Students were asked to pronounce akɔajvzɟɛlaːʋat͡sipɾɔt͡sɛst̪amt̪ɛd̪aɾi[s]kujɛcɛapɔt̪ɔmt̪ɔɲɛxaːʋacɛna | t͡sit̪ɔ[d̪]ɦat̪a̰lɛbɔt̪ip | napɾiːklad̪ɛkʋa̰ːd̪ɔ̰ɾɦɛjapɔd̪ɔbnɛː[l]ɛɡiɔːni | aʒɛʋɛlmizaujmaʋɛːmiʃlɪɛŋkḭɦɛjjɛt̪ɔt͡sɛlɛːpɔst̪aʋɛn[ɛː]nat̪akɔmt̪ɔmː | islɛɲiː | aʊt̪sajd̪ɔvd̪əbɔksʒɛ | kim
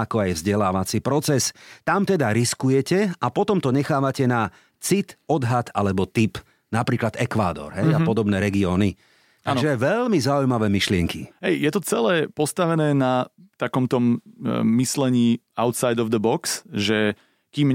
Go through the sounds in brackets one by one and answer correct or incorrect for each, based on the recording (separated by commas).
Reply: correct, correct, incorrect, correct